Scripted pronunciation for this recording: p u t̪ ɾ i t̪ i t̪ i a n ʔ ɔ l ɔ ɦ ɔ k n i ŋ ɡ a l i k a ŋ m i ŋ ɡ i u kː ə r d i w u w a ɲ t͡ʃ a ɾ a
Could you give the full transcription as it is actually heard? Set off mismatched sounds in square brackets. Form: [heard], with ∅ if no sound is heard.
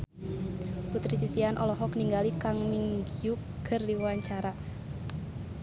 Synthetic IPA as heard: p u t̪ ɾ i t̪ i t̪ i a n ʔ ɔ l ɔ ɦ ɔ k n i ŋ ɡ a l i k a ŋ m i ŋ ɡ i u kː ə r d i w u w a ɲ t͡ʃ a ɾ a